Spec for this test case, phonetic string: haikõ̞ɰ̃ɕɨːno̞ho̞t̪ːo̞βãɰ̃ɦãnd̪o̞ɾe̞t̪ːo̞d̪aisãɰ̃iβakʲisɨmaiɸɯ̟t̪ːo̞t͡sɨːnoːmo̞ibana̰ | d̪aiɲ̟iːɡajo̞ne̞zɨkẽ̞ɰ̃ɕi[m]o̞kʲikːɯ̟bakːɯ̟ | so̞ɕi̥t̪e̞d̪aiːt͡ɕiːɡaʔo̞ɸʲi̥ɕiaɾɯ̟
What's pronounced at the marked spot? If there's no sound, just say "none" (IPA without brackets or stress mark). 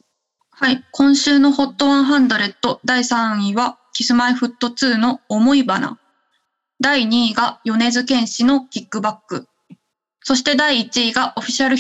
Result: n